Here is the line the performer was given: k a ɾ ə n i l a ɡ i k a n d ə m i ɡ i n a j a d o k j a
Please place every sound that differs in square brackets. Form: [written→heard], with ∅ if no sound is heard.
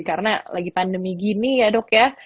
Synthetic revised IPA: k a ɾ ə n [i→a] l a ɡ i [k→p] a n d ə m i ɡ i n [a→i] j a d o k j a